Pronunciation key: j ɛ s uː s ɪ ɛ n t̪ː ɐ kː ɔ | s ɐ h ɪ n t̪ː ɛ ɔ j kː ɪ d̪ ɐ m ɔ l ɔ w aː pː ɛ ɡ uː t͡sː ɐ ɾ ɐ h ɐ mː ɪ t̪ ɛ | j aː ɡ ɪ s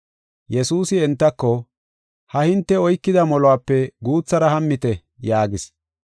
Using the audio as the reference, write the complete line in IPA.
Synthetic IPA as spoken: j ɛ s uː s ɪ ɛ n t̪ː ɐ kː ɔ | h ɐ h ɪ n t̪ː ɛ ɔ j kː ɪ d̪ ɐ m ɔ l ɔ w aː pː ɛ ɡ uː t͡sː ɐ ɾ ɐ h ɐ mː ɪ t̪ ɛ | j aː ɡ ɪ s

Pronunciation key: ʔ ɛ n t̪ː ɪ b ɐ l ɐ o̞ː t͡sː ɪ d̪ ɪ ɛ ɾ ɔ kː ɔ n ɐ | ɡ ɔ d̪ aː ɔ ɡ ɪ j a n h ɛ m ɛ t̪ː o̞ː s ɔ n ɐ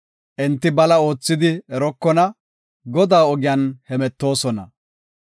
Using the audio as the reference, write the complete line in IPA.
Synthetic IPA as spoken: ʔ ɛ n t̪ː ɪ b ɐ l ɐ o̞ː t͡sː ɪ d̪ ɪ ɛ ɾ ɔ kː ɔ n ɐ | ɡ ɔ d̪ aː ɔ ɡ ɪ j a n h ɛ m ɛ t̪ː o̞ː s ɔ n ɐ

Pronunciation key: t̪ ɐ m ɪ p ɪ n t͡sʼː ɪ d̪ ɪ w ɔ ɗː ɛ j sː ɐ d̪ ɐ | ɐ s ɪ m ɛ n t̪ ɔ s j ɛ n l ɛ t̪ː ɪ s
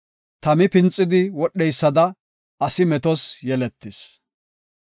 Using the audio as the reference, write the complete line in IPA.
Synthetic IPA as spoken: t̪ ɐ m ɪ p ɪ n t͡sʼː ɪ d̪ ɪ w ɔ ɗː ɛ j sː ɐ d̪ ɐ | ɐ s ɪ m ɛ t̪ ɔ s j ɛ l ɛ t̪ː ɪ s

